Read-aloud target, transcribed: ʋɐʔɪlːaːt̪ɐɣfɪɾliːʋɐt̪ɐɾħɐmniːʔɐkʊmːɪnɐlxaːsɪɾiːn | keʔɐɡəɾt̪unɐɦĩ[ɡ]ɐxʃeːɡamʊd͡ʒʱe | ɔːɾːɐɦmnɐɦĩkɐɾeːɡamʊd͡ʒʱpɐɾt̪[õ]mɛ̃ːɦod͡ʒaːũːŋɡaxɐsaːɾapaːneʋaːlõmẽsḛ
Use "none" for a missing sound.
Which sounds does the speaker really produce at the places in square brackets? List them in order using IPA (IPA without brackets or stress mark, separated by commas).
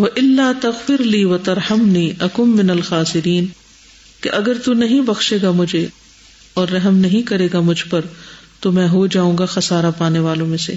b, o